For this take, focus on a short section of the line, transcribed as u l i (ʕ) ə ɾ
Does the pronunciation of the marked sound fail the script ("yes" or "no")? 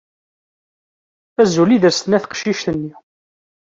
yes